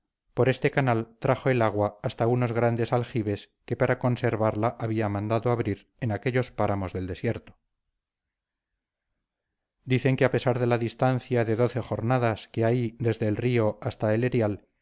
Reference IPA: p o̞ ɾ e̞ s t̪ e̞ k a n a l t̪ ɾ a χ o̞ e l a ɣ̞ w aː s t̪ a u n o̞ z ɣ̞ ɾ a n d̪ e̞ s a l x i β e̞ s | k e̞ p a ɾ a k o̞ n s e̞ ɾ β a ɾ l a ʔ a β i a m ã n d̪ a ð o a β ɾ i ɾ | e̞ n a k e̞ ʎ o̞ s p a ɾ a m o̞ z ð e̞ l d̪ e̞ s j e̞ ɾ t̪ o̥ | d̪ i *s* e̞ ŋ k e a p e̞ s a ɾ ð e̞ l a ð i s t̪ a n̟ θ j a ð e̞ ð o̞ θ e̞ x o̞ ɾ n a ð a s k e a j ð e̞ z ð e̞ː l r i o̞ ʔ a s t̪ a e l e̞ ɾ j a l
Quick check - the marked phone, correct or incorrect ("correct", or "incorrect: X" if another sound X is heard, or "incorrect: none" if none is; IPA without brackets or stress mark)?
incorrect: θ